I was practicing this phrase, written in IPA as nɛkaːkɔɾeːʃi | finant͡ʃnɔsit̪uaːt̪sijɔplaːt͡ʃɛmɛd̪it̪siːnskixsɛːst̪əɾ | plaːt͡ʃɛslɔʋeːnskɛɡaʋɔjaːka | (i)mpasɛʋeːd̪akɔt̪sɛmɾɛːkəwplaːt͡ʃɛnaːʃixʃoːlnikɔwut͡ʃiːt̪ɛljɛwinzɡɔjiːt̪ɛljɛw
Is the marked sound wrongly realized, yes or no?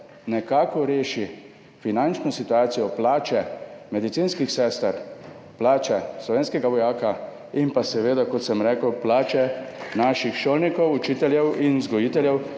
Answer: no